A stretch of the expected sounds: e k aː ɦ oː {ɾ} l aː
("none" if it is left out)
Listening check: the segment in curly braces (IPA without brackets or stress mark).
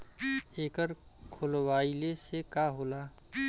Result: none